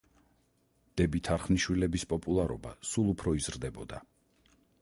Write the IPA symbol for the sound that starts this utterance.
d̪̥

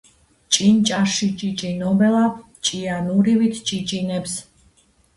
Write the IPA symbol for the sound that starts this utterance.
t͡ʃʼ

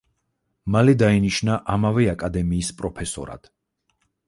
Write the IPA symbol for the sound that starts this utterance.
m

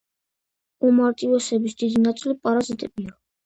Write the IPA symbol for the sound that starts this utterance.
u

